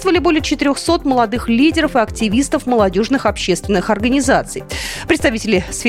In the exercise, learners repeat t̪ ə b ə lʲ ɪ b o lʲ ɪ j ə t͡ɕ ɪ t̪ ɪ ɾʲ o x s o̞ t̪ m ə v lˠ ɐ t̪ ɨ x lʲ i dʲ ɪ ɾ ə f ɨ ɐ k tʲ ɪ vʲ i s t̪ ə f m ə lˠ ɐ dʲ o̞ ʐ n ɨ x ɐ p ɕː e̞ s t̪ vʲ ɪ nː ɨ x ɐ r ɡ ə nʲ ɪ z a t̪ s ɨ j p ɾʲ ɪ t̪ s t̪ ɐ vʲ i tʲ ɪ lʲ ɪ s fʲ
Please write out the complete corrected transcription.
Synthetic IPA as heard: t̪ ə v ə lʲ ɪ b o lʲ ɪ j ə t͡ɕ ɪ t̪ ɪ ɾʲ o x s o̞ t̪ m ə lˠ ɐ d̪ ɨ x lʲ i dʲ ɪ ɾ ə f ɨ ɐ k tʲ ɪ vʲ i s t̪ ə f m ə lˠ ɐ dʲ o̞ ʐ n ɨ x ɐ p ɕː e̞ s t̪ vʲ ɪ nː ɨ x ɐ r ɡ ə nʲ ɪ z a t̪ s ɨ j p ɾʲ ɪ t̪ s t̪ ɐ vʲ i tʲ ɪ lʲ ɪ s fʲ